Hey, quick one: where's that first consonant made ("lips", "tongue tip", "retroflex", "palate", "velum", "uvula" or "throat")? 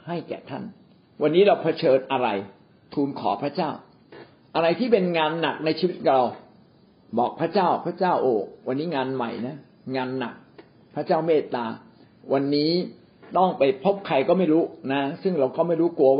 throat